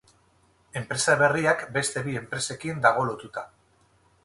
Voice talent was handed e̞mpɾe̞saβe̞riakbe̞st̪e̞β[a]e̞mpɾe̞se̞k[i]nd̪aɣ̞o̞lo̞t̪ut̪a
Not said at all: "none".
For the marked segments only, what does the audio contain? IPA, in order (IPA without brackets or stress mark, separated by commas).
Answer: i, i